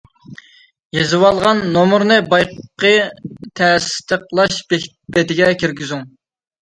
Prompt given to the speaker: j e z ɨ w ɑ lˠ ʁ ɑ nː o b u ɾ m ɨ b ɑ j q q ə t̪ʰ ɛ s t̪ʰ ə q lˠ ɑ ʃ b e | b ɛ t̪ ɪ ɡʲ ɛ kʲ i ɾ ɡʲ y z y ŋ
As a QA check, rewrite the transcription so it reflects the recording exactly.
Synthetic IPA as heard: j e z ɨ w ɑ lˠ ʁ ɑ nː o m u ɾ n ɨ b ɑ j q q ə t̪ʰ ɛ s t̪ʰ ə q lˠ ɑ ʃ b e | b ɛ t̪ ɪ ɡʲ ɛ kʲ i ɾ ɡʲ y z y ŋ

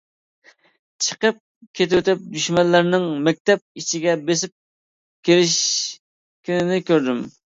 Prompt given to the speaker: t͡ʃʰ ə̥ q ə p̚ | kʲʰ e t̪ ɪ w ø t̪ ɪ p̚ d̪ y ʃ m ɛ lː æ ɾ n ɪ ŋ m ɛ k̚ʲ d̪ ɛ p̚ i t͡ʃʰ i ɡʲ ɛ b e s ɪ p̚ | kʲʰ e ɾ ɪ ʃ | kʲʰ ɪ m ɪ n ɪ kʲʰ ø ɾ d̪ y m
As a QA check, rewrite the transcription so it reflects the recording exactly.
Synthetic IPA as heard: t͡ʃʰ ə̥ q ə p̚ | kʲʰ e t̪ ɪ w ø t̪ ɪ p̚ d̪ y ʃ m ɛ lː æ ɾ n ɪ ŋ m ɛ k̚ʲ t̪ ɛ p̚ i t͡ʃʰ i ɡʲ ɛ b e s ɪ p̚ | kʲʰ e ɾ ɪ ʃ | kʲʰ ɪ n ɪ n ɪ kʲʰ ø ɾ d̪ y m

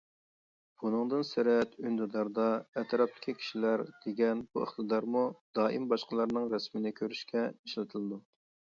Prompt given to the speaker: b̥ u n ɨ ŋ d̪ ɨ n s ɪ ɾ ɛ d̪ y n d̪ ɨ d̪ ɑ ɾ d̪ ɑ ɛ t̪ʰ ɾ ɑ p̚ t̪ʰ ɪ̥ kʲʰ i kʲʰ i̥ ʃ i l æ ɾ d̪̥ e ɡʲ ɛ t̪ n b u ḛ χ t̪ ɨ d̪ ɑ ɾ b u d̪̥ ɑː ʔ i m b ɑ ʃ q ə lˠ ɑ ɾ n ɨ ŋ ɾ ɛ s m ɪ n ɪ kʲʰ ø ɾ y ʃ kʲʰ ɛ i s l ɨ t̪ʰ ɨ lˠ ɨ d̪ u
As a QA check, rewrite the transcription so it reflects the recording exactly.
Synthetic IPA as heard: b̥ u n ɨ ŋ d̪ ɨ n s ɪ ɾ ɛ t̪ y n d̪ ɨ d̪ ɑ ɾ d̪ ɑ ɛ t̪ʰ ɾ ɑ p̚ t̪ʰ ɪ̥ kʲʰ i kʲʰ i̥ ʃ i l æ ɾ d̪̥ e ɡʲ ɛ n b u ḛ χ t̪ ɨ d̪ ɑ ɾ m u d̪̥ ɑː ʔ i m b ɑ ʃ q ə lˠ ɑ ɾ n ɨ ŋ ɾ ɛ s m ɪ n ɪ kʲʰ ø ɾ y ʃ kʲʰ ɛ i ʃ l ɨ t̪ʰ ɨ lˠ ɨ d̪ u

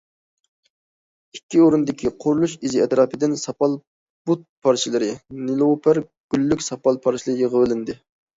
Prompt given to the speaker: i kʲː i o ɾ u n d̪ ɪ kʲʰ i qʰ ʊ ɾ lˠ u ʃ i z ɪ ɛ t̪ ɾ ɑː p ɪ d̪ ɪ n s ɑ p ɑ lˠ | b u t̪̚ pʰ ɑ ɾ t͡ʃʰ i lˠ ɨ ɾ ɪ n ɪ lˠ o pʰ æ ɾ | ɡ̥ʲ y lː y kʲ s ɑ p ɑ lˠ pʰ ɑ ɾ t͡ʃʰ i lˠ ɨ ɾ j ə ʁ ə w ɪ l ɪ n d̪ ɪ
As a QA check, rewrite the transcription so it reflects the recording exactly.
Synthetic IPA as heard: i kʲː i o ɾ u n d̪ ɪ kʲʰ i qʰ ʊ ɾ lˠ u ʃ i z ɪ ɛ t̪ ɾ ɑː p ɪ d̪ ɪ n s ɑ p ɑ lˠ | b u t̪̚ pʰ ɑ ɾ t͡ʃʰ i lˠ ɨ ɾ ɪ n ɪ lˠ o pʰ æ ɾ | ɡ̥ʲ y lː y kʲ s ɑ p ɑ lˠ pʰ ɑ ɾ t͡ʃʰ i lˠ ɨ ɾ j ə ʁ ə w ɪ l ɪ n d̪ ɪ

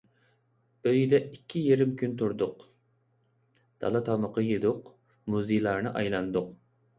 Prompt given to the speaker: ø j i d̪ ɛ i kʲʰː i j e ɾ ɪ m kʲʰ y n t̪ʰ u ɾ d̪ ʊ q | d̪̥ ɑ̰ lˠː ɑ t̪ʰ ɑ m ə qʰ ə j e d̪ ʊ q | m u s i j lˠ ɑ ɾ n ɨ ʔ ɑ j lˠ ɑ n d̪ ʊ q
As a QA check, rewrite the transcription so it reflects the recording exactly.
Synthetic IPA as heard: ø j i d̪ ɛ i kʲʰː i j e ɾ ɪ m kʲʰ y n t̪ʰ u ɾ d̪ ʊ q | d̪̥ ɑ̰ lˠ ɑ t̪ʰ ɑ m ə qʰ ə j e d̪ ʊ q | m u z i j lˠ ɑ ɾ n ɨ ʔ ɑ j lˠ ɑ n d̪ ʊ q

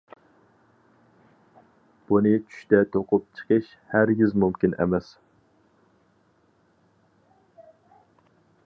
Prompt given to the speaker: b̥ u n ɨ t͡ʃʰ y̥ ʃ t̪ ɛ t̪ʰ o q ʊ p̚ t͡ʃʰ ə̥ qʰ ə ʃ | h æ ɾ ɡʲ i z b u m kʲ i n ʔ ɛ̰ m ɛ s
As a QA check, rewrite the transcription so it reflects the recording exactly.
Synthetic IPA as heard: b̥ u n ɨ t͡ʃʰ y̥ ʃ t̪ ɛ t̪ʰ o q ʊ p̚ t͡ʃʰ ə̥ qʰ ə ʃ | h æ ɾ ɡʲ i z m u m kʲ i n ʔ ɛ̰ m ɛ s

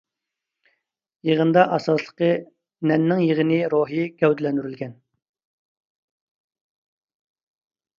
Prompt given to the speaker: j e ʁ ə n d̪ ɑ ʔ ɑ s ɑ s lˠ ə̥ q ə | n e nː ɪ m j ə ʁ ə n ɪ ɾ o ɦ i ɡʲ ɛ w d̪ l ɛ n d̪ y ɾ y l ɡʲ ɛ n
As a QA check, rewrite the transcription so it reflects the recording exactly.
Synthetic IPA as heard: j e ʁ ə n d̪ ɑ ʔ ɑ s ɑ s lˠ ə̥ q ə | n ɛ nː ɪ ŋ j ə ʁ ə n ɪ ɾ o ɦ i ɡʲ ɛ w d̪ l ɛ n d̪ y ɾ y l ɡʲ ɛ n

